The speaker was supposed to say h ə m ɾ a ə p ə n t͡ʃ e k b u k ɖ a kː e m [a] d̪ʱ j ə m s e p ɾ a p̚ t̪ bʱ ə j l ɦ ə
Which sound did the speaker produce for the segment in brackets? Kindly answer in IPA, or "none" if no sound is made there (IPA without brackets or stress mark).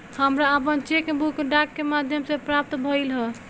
a